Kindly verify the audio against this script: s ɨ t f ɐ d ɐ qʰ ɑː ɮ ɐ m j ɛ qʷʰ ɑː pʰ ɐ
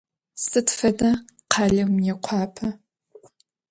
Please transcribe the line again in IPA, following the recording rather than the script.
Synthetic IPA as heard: s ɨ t f ɐ d ɐ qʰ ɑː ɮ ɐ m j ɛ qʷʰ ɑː pʰ ɐ